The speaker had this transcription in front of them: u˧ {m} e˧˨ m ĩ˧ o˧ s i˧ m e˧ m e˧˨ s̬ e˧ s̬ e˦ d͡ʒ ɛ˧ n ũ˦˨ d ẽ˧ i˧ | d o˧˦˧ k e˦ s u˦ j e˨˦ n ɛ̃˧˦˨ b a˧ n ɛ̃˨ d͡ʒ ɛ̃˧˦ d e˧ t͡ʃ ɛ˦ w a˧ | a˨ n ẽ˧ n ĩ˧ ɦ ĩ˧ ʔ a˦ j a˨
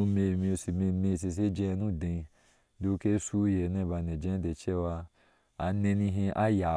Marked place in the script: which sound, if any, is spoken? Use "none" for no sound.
m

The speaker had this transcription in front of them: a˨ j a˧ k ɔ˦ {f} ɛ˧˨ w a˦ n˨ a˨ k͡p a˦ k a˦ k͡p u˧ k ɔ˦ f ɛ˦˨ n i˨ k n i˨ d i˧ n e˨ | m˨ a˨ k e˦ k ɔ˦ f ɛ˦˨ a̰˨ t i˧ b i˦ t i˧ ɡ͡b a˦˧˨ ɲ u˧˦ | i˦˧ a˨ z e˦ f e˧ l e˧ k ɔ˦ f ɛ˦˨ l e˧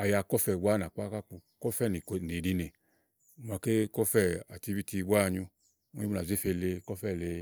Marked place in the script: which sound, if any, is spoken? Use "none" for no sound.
f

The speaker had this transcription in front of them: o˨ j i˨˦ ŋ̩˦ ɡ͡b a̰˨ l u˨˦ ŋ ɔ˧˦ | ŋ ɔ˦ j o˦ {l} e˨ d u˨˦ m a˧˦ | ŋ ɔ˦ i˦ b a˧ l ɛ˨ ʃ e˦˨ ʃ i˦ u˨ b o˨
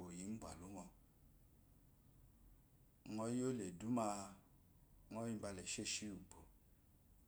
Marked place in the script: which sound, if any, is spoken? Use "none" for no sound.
l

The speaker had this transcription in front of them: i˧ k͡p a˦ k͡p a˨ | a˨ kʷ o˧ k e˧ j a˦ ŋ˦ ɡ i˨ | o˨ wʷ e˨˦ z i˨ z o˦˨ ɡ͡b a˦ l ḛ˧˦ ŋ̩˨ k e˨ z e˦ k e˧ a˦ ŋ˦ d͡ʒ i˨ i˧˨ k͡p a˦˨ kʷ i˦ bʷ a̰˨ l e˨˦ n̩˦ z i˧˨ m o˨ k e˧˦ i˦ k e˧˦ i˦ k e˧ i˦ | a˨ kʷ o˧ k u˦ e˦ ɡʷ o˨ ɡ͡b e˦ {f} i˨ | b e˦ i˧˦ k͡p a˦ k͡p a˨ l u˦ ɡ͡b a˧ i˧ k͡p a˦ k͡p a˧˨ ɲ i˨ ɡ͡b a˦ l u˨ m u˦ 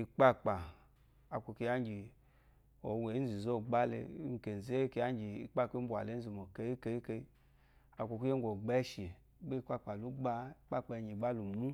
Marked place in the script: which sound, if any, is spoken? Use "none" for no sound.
ʃ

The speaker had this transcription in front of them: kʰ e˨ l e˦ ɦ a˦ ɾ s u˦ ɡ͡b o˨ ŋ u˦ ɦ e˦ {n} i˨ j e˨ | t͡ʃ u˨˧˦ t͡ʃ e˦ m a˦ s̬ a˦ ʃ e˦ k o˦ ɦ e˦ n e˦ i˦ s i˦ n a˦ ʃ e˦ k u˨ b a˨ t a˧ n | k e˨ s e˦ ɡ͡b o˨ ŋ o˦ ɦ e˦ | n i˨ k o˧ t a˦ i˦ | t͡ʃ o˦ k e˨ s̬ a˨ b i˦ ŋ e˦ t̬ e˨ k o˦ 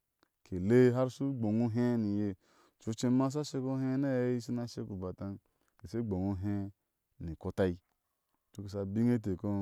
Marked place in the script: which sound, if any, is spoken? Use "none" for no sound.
n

